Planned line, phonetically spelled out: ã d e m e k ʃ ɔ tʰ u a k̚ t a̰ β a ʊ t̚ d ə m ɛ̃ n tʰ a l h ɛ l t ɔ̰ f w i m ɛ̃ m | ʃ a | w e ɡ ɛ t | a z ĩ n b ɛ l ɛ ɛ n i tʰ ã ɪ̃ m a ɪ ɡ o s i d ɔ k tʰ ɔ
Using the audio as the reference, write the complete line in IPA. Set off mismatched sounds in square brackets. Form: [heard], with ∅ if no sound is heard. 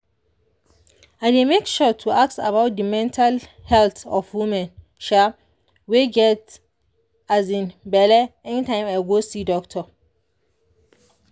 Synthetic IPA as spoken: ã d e m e k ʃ ɔ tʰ u a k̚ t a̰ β a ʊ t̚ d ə m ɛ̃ n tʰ a l h ɛ l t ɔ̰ f w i m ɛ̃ [n] | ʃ a | w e ɡ ɛ t | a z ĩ n b ɛ l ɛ ɛ n i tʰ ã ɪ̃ m a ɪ ɡ o s i d ɔ k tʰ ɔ